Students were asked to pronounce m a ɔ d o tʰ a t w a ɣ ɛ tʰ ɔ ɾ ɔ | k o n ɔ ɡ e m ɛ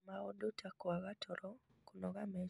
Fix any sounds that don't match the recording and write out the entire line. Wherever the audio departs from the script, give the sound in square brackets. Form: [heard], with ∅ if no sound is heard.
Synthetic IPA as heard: m a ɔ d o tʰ a [k] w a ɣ [a] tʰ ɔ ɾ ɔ | k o n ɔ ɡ [a] m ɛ